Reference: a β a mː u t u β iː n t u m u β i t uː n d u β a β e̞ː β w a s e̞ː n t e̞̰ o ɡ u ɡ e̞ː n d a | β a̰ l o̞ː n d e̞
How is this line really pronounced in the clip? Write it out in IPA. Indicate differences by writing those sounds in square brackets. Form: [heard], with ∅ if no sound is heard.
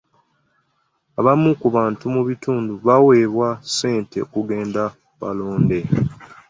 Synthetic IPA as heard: a β a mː u [k] u β [aː] n t u m u β i t uː n d u β a [w] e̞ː β w a s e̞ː n t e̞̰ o [k] u ɡ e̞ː n d a | β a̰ l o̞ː n d e̞